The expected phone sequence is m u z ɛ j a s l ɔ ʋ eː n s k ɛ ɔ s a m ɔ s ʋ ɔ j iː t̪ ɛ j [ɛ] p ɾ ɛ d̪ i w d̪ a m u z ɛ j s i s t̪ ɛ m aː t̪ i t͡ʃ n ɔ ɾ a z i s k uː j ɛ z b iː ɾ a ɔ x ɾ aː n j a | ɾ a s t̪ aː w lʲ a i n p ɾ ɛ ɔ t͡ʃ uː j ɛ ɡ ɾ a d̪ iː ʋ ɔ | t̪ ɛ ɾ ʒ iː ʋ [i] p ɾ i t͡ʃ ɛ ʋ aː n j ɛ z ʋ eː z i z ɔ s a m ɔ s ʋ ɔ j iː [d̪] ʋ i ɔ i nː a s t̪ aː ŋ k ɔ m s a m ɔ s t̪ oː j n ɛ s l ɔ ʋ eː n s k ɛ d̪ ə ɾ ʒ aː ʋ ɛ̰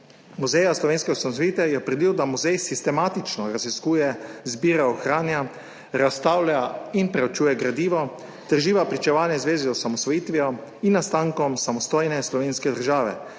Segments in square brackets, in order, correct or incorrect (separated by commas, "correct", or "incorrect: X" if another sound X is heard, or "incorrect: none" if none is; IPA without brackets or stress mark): correct, incorrect: a, incorrect: t̪